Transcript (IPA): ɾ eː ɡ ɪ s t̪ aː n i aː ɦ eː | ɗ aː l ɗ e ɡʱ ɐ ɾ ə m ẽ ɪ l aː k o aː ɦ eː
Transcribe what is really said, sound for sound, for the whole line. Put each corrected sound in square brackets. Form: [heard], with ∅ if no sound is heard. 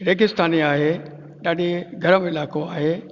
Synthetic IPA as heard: ɾ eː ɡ ɪ s t̪ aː n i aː ɦ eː | ɗ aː [∅] ɗ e ɡʱ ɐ ɾ ə m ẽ ɪ l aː k o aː ɦ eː